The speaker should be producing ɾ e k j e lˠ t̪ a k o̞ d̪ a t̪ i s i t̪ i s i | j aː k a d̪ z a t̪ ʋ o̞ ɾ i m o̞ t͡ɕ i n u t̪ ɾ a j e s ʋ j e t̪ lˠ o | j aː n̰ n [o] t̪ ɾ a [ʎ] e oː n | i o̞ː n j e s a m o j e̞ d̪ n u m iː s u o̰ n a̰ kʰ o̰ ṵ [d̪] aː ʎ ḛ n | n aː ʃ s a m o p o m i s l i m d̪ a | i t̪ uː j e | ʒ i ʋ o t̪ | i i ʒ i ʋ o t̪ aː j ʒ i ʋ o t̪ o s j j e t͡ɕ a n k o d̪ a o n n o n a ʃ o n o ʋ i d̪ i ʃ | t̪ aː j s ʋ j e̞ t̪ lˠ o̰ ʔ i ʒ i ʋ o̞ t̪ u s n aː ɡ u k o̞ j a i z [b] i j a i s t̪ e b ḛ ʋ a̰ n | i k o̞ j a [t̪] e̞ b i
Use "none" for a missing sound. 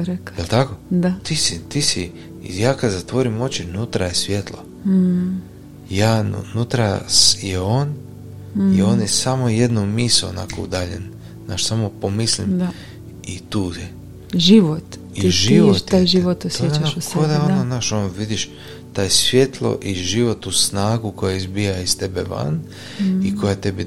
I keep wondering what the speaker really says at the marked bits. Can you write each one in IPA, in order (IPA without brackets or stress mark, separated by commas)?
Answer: u, j, d̪, b, t̪